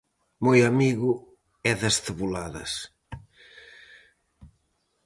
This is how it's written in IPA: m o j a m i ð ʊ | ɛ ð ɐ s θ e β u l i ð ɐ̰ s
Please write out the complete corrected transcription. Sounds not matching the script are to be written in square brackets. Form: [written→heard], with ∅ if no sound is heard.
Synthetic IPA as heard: m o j a m i [ð→ɣ] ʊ | ɛ ð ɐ s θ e β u l [i→a] ð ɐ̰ s